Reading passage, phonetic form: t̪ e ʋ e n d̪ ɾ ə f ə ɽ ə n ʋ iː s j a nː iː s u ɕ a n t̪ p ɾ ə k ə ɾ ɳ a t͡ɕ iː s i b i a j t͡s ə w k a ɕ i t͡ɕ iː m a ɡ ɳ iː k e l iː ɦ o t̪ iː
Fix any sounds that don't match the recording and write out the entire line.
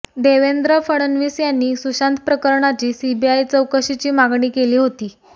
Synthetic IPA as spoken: d̪ e ʋ e n d̪ ɾ ə f ə ɽ ə n ʋ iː s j a nː iː s u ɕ a n t̪ p ɾ ə k ə ɾ ɳ a t͡ɕ iː s i b i a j t͡s ə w k ə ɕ i t͡ɕ iː m a ɡ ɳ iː k e l iː ɦ o t̪ iː

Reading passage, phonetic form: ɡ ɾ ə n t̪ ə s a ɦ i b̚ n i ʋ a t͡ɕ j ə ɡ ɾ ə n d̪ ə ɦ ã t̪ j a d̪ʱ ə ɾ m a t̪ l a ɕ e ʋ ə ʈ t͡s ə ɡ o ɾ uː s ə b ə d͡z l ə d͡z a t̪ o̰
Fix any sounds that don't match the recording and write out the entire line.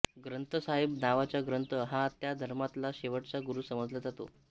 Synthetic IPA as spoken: ɡ ɾ ə n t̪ ə s a ɦ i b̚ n a ʋ a t͡ɕ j a ɡ ɾ ə n t̪ ə ɦ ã t̪ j a d̪ʱ ə ɾ m a t̪ l a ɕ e ʋ ə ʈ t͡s a ɡ u ɾ uː s ə m ə d͡z l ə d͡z a t̪ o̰

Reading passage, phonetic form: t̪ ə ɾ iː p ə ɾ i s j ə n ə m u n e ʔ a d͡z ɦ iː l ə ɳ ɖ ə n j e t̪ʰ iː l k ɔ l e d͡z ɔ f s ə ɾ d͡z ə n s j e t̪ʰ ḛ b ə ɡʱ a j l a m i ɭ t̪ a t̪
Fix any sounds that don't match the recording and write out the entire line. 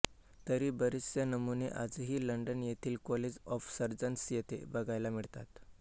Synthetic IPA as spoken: t̪ ə ɾ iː b ə ɾ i s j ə n ə m u n e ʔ a d͡z ɦ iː l ə ɳ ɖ ə n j e t̪ʰ iː l k ɔ l e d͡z ɔ f s ə ɾ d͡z ə n s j e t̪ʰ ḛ b ə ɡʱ a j l a m i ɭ t̪ a t̪

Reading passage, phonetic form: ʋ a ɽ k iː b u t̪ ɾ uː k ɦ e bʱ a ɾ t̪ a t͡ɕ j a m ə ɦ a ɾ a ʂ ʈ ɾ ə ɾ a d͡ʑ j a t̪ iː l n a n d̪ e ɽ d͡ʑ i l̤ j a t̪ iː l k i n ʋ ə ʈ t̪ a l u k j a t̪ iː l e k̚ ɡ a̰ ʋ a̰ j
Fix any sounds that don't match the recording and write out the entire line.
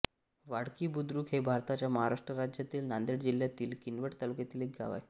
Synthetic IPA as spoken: ʋ a ɽ k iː b u d̪ ɾ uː k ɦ e bʱ a ɾ t̪ a t͡ɕ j a m ə ɦ a ɾ a ʂ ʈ ɾ ə ɾ a d͡ʑ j a t̪ iː l n a n d̪ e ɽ d͡ʑ i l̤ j a t̪ iː l k i n ʋ ə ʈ t̪ a l u k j a t̪ iː l e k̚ ɡ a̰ ʋ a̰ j

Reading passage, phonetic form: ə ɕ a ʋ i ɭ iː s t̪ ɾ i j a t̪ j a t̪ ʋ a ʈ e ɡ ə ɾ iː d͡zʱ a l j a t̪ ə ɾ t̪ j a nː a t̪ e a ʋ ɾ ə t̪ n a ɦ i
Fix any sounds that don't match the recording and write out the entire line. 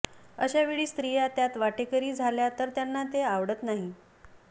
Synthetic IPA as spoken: ə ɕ a ʋ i ɭ iː s t̪ ɾ i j a t̪ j a t̪ ʋ a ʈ e k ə ɾ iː d͡zʱ a l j a t̪ ə ɾ t̪ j a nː a t̪ e a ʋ ɽ ə t̪ n a ɦ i

